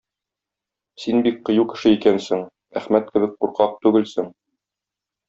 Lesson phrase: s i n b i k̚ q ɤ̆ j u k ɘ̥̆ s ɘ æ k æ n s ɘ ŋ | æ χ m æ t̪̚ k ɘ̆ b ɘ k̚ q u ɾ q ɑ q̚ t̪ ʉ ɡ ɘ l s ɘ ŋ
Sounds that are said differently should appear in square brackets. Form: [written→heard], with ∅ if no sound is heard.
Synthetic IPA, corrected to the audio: s i n b i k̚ q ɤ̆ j u k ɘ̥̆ [s→ʃ] ɘ [æ→i] k æ n s ɘ ŋ | æ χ m æ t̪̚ k ɘ̆ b ɘ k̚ q u ɾ q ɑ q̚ t̪ ʉ ɡ ɘ l s ɘ ŋ